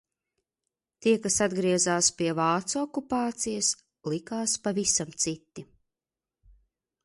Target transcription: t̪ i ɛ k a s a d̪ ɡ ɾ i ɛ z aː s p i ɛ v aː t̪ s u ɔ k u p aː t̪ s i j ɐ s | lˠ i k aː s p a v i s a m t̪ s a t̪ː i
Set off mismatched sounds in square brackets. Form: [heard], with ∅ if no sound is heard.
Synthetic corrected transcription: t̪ i ɛ k a s a d̪ ɡ ɾ i ɛ z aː s p i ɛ v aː t̪ s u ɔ k u p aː t̪ s i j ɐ s | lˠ i k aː s p a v i s a m t̪ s [i] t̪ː i